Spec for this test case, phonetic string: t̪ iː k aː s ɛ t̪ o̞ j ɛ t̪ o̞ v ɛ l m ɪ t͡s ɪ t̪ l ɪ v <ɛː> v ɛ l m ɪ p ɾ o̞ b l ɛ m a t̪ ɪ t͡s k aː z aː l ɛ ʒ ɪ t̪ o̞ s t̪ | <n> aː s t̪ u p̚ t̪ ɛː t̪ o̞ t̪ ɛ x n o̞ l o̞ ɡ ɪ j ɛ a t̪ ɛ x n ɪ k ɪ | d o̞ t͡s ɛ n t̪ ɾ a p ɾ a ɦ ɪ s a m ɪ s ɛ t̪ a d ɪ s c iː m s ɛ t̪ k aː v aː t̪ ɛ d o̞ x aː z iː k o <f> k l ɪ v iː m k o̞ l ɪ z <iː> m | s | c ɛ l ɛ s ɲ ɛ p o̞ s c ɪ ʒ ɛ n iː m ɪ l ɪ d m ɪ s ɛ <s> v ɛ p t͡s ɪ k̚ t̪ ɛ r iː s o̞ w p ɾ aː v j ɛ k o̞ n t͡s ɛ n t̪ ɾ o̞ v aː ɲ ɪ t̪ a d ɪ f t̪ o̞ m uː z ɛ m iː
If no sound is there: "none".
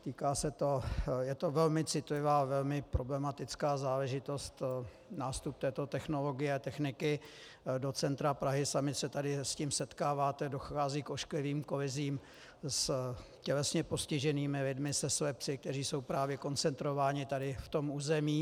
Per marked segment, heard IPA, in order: aː, n, ʃ, iː, s

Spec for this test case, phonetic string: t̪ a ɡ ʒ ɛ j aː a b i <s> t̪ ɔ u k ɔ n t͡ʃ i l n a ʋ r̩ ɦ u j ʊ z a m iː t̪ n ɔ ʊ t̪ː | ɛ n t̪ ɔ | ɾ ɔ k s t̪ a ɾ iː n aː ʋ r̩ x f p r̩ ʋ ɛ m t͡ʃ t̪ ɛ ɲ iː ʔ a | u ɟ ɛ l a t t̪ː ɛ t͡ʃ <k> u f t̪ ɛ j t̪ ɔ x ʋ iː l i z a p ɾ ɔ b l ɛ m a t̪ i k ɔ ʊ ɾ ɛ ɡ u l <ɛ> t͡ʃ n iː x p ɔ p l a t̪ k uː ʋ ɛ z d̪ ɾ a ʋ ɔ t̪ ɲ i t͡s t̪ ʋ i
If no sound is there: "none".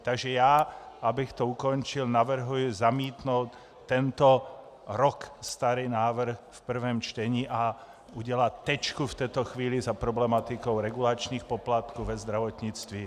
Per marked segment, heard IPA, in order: x, k, a

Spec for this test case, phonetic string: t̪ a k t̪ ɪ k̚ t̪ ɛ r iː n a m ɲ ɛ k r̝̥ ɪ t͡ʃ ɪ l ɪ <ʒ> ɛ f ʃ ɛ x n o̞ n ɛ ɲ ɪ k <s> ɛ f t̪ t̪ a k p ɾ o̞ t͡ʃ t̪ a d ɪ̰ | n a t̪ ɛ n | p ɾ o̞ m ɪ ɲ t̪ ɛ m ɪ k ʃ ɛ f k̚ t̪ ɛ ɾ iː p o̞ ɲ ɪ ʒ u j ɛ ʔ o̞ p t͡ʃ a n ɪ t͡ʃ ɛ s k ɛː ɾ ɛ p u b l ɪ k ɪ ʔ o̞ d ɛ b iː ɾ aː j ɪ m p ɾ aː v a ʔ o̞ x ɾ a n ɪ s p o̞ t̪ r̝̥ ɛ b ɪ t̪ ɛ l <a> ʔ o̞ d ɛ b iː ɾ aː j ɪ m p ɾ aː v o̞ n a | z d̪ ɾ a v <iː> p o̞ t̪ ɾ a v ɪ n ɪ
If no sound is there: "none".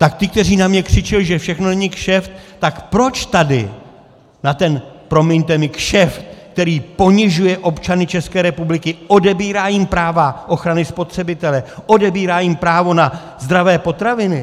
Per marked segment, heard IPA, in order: ʒ, ʃ, ɛ, ɛː

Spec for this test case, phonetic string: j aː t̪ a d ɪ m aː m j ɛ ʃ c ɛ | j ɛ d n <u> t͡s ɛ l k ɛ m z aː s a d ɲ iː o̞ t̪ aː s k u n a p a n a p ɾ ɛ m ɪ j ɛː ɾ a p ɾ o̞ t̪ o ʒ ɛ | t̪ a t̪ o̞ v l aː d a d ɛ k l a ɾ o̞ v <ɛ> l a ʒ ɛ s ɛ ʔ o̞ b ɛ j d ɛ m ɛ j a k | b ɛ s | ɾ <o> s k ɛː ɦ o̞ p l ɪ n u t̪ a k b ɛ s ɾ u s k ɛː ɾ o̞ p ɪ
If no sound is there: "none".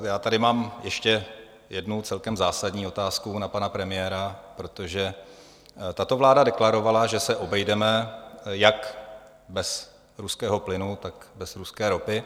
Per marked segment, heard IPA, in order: u, a, u

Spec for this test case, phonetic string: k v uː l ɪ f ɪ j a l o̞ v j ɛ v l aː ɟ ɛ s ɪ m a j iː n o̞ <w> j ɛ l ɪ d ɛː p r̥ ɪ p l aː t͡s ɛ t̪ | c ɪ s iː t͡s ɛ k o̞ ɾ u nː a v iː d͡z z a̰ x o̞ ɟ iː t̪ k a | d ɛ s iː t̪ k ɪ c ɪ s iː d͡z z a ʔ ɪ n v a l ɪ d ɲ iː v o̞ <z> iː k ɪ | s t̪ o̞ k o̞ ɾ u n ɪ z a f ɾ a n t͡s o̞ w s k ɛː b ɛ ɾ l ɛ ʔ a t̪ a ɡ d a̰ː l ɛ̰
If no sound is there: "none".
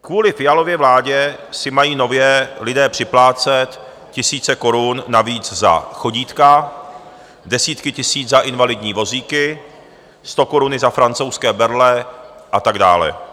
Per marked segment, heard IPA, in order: v, z

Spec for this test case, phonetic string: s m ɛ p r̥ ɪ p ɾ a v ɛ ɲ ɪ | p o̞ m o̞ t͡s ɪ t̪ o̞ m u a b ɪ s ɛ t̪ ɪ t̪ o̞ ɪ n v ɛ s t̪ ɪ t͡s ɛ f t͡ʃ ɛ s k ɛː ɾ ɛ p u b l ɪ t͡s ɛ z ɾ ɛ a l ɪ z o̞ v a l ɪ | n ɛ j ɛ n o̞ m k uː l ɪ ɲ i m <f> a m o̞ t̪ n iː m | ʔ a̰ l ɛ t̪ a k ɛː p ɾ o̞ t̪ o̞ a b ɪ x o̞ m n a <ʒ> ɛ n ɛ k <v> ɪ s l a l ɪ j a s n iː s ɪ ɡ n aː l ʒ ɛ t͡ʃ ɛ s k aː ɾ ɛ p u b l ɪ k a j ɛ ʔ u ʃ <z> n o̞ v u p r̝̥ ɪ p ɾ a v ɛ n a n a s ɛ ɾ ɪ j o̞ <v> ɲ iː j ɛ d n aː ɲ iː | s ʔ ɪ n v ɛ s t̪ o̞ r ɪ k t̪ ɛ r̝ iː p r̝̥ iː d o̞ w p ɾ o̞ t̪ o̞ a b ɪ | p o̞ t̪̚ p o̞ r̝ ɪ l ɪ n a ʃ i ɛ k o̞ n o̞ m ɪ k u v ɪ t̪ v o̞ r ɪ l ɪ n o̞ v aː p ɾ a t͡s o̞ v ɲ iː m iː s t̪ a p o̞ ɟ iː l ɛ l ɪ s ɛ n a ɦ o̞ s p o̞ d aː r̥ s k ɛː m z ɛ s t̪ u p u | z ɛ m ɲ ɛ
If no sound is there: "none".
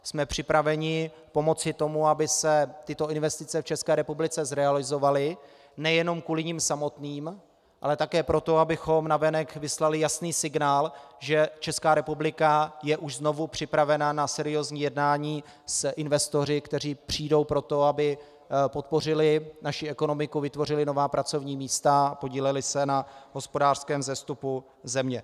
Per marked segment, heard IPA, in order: s, v, v, z, z

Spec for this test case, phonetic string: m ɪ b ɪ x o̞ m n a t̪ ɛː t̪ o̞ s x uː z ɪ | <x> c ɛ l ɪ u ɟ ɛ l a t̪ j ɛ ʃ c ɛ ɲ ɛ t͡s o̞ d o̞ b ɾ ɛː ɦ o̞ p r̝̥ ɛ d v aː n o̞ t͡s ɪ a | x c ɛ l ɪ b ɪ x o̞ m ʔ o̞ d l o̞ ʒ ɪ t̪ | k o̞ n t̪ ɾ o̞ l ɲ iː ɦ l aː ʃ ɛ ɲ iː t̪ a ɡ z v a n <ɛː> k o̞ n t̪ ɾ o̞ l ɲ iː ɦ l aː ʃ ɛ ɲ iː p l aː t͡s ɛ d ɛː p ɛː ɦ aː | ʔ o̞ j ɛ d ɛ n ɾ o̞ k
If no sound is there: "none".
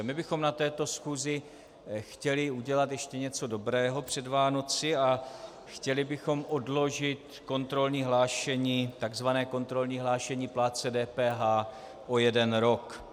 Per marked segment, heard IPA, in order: x, ɛː

